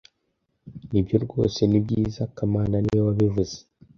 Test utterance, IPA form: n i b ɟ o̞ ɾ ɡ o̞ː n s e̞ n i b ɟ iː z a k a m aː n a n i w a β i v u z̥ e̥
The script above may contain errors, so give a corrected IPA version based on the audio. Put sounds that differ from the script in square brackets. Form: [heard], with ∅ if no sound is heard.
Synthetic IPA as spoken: n i b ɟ o̞ ɾ ɡ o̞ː [∅] s e̞ n i b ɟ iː z a k a m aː n a n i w a β i v u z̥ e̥